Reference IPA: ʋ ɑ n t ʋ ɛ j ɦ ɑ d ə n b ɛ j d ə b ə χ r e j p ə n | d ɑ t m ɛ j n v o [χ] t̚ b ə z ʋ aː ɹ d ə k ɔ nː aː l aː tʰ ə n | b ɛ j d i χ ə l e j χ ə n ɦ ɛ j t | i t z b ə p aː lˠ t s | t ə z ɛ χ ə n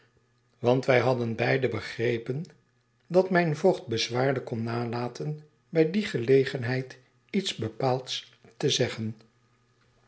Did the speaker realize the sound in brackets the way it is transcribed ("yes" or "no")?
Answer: yes